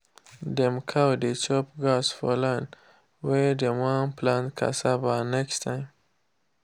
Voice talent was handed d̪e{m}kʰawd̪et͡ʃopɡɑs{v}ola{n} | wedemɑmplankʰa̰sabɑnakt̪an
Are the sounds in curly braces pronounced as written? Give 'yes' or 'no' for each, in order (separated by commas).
yes, no, yes